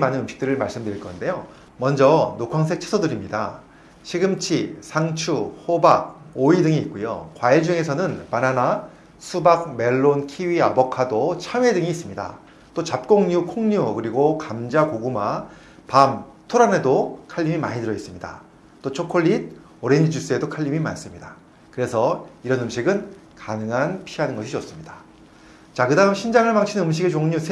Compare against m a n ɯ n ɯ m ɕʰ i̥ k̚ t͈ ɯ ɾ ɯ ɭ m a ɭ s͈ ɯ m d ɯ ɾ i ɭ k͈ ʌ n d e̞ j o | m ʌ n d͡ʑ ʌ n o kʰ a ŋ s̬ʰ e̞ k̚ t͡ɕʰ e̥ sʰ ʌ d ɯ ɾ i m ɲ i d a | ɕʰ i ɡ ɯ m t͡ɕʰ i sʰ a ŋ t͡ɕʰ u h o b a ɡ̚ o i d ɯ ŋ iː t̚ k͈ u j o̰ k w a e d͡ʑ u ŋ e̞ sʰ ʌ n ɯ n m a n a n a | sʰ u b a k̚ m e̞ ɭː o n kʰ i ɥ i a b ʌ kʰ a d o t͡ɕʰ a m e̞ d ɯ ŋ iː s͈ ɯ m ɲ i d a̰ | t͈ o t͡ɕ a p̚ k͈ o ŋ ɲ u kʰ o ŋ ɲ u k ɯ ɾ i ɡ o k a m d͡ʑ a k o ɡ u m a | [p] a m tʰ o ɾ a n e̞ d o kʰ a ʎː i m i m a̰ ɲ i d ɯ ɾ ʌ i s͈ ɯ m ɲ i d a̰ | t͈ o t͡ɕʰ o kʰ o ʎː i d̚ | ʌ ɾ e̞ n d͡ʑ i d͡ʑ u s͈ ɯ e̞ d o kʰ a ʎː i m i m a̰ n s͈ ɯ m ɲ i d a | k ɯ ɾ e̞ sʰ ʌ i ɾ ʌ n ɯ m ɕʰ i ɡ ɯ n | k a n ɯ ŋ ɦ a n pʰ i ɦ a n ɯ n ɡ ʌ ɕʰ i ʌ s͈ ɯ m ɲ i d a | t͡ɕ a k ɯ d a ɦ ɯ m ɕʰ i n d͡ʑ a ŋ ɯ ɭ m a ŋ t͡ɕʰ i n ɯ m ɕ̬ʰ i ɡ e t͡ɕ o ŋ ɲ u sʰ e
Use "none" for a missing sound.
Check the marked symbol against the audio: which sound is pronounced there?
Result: p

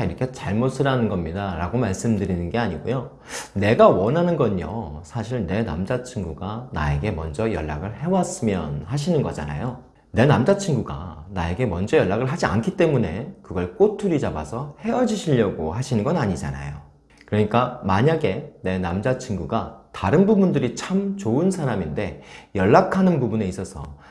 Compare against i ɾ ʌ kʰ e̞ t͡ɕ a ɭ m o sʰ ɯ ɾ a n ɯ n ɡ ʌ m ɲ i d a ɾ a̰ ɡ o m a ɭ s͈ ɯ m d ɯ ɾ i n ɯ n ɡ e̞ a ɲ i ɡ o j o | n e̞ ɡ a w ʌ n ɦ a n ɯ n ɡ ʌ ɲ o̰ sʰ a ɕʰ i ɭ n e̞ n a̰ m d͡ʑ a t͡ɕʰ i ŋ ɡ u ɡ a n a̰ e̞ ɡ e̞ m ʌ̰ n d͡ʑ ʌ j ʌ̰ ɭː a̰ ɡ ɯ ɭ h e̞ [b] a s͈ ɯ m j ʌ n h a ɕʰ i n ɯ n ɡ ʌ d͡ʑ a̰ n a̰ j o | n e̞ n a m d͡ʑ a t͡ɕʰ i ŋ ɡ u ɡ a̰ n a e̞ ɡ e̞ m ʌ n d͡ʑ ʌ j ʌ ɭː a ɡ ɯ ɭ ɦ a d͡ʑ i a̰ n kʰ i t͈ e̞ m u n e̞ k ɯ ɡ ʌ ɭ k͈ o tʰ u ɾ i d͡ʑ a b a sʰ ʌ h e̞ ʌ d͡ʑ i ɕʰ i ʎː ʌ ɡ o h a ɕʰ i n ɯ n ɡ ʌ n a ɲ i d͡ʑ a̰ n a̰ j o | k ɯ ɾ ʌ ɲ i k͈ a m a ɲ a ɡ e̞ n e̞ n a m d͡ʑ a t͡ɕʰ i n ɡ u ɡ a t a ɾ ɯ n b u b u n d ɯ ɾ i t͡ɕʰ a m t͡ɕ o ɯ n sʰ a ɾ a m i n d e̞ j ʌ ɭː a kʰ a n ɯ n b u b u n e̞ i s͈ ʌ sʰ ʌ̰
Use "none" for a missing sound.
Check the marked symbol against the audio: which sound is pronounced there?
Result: w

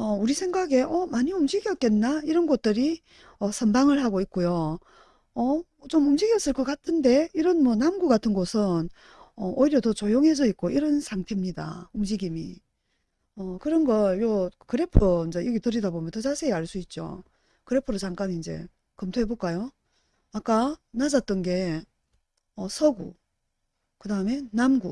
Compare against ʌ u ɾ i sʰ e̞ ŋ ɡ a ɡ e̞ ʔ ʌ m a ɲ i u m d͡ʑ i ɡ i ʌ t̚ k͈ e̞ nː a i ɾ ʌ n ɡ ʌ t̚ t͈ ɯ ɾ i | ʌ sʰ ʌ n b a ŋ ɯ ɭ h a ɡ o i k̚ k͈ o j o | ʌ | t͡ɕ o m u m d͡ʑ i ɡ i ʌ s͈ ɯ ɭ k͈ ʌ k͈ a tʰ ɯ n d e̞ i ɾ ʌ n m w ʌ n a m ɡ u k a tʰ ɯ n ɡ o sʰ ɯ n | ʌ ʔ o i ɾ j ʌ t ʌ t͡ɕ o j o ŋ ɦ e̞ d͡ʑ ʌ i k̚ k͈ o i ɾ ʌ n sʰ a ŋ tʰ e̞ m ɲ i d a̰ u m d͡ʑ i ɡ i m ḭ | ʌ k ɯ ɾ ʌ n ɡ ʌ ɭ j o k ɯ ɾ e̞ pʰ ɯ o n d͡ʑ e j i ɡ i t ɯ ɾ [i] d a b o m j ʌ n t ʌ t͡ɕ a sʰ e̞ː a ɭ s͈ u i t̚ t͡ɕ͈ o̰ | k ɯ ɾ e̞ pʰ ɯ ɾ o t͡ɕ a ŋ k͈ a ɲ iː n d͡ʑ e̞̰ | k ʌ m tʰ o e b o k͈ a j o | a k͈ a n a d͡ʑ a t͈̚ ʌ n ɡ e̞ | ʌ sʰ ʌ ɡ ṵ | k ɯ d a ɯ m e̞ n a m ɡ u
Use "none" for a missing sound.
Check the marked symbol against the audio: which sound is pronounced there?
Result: i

